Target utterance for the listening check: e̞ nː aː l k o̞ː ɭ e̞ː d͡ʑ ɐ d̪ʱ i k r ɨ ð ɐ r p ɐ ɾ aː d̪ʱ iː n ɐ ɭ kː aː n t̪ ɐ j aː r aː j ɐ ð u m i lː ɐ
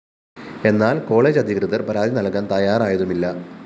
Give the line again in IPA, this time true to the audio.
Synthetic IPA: e̞ nː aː l k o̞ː ɭ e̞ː d͡ʑ ɐ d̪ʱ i k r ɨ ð ɐ r p ɐ ɾ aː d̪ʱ i n ɐ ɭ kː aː n t̪ ɐ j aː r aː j ɐ ð u m i lː ɐ